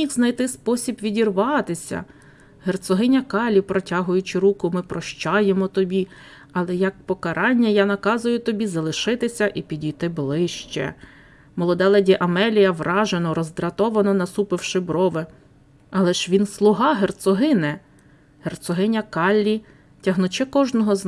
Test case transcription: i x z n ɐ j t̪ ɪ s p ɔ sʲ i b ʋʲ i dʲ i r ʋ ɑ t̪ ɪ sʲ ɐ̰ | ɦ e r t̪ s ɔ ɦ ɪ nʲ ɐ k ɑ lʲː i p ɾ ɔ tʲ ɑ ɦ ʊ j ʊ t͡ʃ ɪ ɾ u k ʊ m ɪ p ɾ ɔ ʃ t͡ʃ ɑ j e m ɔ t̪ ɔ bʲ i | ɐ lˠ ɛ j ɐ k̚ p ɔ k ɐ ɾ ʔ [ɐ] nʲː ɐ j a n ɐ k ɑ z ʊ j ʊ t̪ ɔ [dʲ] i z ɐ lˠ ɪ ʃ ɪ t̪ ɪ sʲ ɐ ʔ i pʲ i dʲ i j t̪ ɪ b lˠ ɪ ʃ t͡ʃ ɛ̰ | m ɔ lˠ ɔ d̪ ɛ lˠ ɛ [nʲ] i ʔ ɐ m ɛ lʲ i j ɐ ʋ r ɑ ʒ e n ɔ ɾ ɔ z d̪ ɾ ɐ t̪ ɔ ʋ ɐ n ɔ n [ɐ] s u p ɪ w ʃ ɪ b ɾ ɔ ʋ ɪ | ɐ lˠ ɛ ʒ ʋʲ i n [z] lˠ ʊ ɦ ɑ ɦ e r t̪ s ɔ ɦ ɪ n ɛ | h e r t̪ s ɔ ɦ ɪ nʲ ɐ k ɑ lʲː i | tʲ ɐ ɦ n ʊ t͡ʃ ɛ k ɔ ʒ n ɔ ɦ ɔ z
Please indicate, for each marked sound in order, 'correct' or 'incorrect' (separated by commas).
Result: incorrect, incorrect, incorrect, correct, incorrect